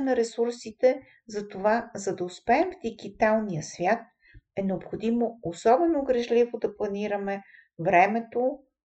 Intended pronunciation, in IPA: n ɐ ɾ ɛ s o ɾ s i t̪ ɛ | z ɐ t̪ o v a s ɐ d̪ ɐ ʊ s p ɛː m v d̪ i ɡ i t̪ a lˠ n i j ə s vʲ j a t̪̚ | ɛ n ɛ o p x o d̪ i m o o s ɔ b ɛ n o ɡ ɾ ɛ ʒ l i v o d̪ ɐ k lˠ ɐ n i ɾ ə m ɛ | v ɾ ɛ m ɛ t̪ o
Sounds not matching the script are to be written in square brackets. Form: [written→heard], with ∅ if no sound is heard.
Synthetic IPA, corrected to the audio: n ɐ ɾ ɛ s [o→u] ɾ s i t̪ ɛ | z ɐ t̪ o v a [s→z] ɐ d̪ ɐ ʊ s p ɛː m v d̪ i ɡ i t̪ a lˠ n i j ə s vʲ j a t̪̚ | ɛ n ɛ o p x o d̪ i m o o s ɔ b ɛ n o ɡ ɾ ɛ ʒ l i v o d̪ ɐ [k→p] lˠ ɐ n i ɾ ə m ɛ | v ɾ ɛ m ɛ t̪ o